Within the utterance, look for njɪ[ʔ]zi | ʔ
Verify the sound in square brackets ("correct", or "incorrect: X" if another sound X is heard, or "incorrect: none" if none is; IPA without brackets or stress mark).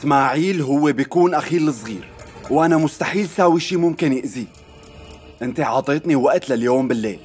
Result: correct